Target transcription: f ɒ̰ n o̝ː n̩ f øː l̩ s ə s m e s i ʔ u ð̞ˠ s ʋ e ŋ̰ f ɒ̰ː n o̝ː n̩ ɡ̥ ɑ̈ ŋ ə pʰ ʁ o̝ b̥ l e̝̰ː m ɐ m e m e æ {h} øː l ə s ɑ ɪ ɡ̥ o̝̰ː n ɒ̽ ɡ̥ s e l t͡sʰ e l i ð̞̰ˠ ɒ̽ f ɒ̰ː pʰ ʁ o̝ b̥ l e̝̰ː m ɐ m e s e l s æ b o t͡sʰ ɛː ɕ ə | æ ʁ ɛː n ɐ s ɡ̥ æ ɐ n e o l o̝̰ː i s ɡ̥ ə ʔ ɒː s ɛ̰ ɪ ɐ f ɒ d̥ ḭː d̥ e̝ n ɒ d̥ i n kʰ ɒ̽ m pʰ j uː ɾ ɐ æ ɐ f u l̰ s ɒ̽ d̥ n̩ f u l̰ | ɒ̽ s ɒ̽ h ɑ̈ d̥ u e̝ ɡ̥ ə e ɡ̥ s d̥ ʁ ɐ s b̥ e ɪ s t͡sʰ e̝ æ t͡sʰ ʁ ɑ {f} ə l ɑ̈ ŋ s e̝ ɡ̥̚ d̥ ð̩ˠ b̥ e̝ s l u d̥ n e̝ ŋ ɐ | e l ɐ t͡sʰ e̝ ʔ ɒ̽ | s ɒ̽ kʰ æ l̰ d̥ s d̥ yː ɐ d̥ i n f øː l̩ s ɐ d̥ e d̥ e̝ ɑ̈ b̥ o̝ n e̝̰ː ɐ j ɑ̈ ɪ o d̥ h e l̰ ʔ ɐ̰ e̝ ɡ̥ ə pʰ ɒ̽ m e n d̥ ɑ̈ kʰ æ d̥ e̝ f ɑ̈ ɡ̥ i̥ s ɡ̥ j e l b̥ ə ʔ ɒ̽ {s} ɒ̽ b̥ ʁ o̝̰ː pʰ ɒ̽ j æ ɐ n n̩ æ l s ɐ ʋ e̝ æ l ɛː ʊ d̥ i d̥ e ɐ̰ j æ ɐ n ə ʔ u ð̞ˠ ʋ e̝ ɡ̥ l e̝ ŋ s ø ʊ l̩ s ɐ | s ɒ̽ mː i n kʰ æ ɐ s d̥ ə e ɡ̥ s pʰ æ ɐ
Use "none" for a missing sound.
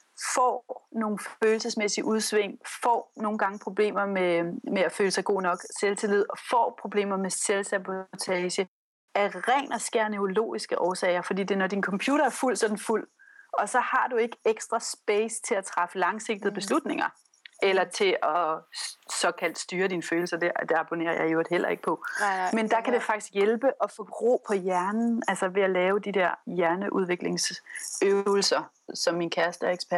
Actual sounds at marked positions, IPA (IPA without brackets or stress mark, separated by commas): f, f, f